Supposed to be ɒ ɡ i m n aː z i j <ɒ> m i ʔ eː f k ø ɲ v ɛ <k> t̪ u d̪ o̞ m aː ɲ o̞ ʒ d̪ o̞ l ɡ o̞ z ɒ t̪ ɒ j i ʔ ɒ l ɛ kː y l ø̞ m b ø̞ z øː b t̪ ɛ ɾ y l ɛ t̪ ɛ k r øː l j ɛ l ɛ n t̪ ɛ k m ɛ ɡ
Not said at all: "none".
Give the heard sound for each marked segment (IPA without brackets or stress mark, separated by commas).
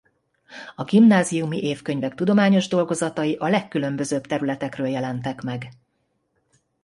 u, k